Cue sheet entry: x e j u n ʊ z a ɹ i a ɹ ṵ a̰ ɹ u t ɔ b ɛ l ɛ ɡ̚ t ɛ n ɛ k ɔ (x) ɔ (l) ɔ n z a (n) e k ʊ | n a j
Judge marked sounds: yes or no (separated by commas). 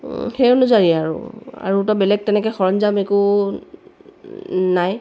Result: yes, no, no